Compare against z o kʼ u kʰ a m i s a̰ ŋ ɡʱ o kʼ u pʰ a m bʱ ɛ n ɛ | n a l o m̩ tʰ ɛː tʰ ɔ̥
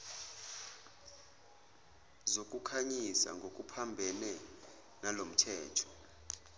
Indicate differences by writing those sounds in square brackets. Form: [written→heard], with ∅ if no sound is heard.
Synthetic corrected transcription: z o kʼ u kʰ a [m→ɲ] i s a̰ ŋ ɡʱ o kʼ u pʰ a m bʱ ɛ n ɛ | n a l o m̩ tʰ ɛː tʰ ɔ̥